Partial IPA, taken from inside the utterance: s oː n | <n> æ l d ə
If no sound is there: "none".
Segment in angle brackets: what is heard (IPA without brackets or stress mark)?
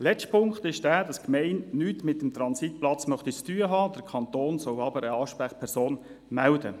m